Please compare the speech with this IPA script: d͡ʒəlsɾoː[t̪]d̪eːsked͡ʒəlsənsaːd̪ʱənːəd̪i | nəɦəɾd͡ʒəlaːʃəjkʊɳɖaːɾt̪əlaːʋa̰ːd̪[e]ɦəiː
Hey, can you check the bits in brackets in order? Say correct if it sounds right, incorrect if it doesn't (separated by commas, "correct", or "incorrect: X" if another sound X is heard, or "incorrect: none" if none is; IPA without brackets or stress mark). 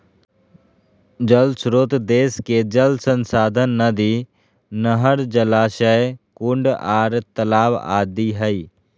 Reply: correct, incorrect: i